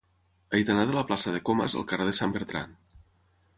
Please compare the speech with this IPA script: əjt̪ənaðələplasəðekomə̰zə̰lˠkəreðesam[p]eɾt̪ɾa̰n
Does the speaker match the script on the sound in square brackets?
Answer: no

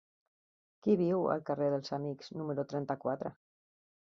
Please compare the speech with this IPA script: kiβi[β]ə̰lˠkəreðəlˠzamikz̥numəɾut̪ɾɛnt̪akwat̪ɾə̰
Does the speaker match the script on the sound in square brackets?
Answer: no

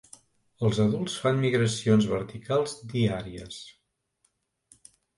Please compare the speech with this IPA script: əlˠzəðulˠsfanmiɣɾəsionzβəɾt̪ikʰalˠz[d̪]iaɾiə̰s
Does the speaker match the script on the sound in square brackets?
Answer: yes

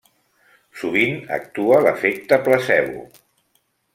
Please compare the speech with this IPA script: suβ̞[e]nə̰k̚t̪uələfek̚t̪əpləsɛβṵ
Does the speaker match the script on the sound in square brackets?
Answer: no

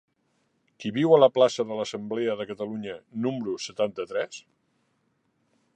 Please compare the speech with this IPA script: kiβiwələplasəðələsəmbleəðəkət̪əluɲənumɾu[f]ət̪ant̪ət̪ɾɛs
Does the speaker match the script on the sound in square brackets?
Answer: no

